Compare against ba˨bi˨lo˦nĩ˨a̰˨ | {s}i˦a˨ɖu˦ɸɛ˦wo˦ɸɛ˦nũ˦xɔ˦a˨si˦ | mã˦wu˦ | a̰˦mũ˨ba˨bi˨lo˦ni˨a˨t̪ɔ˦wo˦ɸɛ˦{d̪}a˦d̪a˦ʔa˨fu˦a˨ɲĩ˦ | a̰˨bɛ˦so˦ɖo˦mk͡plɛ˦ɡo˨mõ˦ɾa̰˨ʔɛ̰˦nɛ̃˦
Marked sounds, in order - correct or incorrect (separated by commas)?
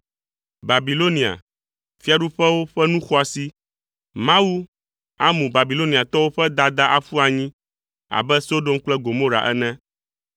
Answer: incorrect, correct